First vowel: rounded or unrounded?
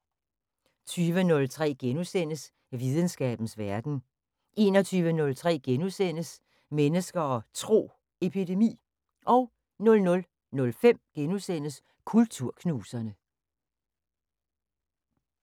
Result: rounded